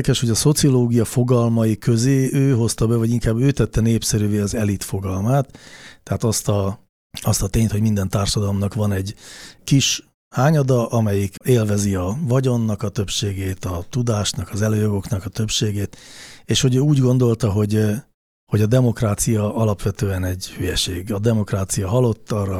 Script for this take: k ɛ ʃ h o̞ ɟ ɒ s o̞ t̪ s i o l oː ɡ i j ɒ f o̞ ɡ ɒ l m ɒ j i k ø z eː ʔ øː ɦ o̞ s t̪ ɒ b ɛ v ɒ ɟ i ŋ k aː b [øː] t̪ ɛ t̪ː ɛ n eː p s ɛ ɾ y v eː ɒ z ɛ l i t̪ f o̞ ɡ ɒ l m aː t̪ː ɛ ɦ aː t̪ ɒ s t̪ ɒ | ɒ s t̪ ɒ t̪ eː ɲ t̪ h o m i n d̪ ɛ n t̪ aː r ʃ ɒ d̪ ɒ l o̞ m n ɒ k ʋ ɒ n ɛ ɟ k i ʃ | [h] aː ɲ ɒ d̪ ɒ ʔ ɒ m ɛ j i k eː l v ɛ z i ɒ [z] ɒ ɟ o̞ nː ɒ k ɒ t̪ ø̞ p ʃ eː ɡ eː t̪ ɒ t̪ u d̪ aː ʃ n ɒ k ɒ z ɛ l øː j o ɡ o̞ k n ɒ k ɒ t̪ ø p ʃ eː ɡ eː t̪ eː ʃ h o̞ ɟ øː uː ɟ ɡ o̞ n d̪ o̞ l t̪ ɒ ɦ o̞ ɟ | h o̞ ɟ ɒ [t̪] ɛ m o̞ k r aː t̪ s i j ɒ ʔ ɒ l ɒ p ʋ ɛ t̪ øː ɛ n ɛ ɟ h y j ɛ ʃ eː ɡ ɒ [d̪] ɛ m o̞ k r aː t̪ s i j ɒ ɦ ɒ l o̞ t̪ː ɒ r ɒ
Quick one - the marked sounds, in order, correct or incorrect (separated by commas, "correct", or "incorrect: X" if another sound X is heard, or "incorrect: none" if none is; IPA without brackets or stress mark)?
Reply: correct, correct, incorrect: v, incorrect: d̪, correct